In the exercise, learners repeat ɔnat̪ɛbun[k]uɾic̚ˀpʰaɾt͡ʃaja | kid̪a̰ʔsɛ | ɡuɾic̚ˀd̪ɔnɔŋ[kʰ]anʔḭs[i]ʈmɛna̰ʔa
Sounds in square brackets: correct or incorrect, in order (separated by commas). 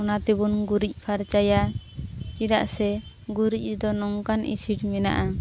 incorrect, incorrect, correct